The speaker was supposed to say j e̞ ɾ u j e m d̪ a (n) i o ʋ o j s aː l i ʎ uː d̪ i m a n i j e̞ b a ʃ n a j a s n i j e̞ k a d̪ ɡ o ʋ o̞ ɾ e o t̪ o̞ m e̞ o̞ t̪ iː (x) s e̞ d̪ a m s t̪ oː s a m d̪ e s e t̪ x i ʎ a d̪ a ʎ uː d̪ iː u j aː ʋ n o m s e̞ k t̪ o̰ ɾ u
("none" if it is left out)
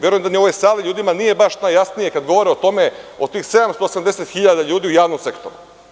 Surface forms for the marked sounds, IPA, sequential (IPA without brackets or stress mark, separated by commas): n, x